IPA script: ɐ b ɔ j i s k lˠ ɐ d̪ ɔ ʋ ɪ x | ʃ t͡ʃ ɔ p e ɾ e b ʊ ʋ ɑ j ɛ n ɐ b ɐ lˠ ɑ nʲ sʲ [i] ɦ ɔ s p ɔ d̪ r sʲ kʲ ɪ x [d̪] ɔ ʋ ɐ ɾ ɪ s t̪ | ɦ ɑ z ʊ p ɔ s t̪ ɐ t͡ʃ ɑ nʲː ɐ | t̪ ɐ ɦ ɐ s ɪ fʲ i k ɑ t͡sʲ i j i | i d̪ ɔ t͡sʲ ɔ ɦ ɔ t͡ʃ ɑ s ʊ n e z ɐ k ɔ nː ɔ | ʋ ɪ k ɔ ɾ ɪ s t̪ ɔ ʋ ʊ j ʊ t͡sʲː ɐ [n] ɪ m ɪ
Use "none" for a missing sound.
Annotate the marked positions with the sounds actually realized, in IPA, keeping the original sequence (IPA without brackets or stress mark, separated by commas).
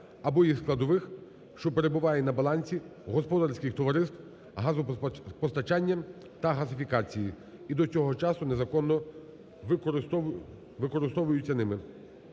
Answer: i, t̪, n